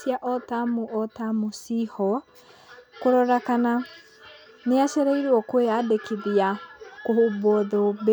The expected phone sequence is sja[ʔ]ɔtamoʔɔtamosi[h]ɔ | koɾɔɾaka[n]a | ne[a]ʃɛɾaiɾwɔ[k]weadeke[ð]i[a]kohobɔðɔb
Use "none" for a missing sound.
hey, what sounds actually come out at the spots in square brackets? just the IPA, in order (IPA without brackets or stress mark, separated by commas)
ʔ, h, n, a, k, ð, a